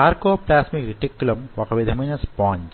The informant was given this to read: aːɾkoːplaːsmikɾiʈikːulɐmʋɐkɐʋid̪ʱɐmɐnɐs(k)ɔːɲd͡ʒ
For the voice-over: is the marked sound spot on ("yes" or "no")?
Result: no